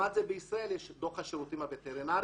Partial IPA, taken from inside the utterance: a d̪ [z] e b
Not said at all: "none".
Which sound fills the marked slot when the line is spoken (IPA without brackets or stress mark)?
z